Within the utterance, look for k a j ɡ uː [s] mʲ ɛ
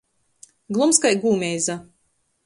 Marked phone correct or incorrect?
incorrect